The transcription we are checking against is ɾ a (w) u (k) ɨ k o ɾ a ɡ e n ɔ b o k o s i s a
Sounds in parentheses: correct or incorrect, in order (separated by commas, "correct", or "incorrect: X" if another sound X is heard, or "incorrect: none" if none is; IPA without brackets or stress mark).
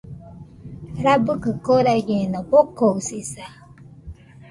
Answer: incorrect: b, correct